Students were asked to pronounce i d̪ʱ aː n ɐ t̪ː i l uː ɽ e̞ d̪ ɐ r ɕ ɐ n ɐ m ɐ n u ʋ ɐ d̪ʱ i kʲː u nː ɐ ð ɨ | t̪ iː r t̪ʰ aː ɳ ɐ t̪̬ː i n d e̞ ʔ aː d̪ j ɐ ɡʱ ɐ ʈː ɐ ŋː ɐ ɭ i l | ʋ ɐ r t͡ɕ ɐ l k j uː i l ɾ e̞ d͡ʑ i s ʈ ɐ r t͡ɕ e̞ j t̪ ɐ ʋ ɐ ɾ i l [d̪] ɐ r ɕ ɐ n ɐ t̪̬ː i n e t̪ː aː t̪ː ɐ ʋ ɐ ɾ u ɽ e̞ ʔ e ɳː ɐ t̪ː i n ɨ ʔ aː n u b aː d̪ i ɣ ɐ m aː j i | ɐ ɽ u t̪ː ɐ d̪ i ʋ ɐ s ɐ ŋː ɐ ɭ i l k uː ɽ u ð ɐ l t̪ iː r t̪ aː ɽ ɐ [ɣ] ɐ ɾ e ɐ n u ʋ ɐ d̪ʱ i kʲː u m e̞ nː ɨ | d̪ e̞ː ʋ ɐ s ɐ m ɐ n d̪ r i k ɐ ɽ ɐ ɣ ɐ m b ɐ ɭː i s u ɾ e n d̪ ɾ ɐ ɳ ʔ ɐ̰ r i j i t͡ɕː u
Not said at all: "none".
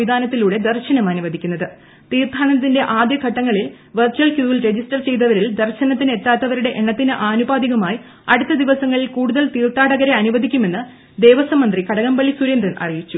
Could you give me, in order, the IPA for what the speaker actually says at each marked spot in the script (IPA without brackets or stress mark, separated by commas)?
d̪, ɣ